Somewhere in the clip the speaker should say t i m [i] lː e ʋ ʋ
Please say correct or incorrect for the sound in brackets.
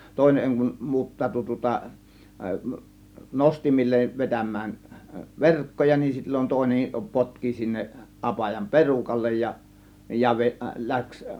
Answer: correct